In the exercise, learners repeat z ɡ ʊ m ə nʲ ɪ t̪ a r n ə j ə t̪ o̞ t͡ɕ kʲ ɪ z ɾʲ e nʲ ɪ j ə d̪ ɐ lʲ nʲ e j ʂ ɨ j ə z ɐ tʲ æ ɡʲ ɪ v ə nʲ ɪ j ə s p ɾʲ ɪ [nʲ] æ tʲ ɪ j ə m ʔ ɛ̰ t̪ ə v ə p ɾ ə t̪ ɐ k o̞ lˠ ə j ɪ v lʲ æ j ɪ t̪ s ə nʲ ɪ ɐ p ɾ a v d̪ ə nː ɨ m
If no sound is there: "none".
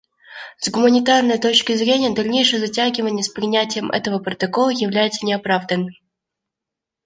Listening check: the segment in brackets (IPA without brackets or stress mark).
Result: nʲ